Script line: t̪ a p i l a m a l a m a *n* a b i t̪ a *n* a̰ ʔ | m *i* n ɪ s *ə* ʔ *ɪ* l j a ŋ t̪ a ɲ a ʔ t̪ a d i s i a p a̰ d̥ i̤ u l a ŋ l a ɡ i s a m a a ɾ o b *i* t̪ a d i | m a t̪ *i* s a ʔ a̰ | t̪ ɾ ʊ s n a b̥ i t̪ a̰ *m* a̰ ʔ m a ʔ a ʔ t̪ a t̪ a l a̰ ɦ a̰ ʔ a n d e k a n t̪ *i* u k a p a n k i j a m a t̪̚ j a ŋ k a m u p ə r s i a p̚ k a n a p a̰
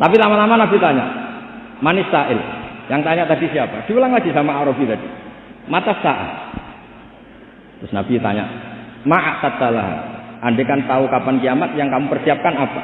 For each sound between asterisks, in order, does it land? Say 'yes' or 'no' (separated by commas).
yes, no, no, no, yes, yes, no, no, no